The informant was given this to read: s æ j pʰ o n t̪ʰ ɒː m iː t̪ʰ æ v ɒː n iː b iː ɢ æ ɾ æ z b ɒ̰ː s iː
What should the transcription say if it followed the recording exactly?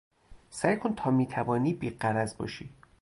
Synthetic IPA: s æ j kʰ o n t̪ʰ ɒː m iː t̪ʰ æ v ɒː n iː b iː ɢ æ ɾ æ z b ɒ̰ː ʃ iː